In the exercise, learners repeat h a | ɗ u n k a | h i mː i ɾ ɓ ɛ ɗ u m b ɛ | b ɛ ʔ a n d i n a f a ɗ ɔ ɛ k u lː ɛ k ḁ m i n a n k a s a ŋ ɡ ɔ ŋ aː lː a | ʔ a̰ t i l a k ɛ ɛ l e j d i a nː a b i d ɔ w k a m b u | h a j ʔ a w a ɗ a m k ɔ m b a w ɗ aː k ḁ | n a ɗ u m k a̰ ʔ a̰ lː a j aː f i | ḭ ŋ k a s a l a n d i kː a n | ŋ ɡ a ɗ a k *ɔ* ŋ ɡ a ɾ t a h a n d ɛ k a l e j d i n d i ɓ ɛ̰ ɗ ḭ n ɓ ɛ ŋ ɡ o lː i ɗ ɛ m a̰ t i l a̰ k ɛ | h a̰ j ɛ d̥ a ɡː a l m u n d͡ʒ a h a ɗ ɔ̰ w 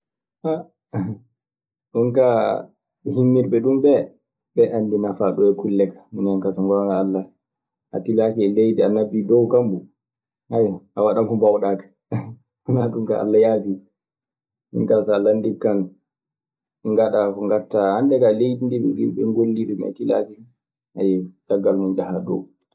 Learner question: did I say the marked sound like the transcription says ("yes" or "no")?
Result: yes